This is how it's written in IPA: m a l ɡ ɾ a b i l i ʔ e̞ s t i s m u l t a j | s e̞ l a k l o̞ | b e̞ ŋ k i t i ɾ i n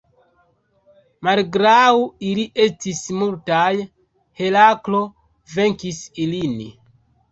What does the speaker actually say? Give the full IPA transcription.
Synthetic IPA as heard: m a l ɡ ɾ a w i l i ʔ e̞ s t i s m u l t a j | h e̞ l a k l o̞ | v e̞ ŋ k i s i l i n